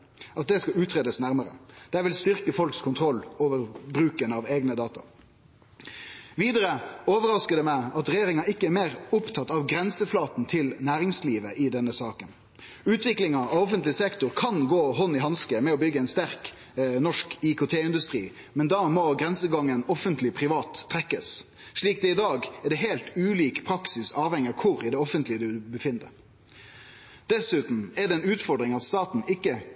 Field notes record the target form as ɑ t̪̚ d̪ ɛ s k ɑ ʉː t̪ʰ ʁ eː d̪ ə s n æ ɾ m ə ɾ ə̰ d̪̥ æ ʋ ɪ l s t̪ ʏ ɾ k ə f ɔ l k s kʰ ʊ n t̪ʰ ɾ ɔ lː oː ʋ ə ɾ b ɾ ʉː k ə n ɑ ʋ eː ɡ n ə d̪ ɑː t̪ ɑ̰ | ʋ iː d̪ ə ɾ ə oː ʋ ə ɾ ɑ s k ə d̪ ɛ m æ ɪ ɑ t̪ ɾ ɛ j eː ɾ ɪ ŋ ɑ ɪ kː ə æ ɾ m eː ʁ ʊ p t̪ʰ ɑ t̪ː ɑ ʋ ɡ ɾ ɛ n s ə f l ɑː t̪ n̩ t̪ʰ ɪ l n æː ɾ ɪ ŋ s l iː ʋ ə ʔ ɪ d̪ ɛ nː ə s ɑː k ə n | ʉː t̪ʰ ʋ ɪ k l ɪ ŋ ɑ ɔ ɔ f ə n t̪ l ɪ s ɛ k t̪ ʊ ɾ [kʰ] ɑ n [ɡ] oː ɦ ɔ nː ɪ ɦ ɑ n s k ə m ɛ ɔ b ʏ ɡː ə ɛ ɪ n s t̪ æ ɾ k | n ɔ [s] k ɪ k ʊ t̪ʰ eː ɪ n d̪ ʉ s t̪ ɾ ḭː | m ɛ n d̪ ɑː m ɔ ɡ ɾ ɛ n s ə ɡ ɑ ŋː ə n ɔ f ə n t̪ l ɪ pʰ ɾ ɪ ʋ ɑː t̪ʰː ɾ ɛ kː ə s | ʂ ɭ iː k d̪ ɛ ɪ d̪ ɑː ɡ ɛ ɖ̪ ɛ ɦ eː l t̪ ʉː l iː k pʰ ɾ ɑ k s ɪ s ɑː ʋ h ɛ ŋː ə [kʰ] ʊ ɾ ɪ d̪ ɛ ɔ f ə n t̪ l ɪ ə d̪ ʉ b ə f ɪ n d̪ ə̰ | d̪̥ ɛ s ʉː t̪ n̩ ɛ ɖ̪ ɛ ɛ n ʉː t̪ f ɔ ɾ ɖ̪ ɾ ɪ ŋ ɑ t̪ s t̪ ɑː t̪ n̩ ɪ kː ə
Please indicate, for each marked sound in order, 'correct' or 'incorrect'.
correct, correct, incorrect: ʂ, correct

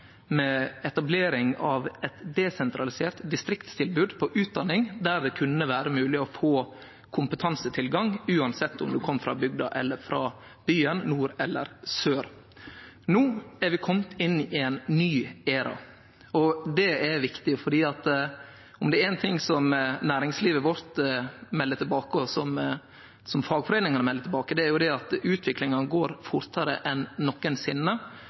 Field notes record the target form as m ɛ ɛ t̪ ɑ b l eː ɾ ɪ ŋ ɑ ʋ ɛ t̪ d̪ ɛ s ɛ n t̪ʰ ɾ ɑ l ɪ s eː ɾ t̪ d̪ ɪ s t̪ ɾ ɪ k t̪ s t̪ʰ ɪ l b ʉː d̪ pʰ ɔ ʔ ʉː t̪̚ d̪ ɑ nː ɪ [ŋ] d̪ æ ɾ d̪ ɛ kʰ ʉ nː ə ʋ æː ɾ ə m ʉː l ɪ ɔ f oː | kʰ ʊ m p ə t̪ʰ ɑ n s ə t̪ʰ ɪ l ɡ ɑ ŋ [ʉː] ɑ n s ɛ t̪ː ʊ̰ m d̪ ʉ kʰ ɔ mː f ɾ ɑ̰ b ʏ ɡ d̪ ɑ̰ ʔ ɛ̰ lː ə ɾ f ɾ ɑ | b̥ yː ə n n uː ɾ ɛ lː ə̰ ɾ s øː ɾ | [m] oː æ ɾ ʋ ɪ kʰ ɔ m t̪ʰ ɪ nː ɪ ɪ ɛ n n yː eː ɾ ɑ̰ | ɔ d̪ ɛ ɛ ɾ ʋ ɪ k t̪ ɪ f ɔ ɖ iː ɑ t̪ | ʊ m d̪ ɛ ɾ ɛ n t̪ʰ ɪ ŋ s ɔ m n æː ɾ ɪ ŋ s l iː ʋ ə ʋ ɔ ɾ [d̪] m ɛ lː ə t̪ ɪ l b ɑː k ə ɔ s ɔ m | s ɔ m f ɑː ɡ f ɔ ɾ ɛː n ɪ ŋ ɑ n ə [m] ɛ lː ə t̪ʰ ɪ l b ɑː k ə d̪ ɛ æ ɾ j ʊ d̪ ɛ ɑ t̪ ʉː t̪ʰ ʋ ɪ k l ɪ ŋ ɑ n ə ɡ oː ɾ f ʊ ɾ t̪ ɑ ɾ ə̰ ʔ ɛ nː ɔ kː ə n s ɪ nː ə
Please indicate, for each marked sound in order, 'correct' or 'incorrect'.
correct, correct, incorrect: n, incorrect: t̪, correct

